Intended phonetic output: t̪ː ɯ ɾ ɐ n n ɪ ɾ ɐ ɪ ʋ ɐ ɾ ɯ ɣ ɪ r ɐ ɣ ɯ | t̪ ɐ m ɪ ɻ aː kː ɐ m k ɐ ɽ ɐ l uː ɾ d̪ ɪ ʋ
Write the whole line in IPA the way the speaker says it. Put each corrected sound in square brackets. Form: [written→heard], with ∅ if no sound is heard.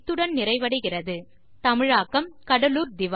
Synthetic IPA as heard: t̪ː ɯ [ɾ→ɽ] ɐ n n ɪ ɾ ɐ ɪ ʋ ɐ [ɾ→ɽ] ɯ ɣ ɪ r ɐ [ɣ→ð] ɯ | t̪ ɐ m ɪ ɻ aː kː ɐ m k ɐ ɽ ɐ l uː ɾ d̪ ɪ ʋ